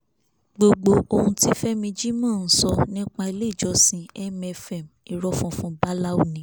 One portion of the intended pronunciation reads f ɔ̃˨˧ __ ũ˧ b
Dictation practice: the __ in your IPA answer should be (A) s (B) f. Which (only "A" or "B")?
B